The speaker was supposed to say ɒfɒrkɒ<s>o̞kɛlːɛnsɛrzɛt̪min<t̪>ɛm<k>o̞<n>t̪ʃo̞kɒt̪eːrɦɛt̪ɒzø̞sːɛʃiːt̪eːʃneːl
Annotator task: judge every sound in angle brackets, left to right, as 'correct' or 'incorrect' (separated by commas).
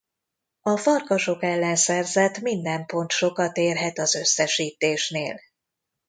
incorrect, incorrect, incorrect, correct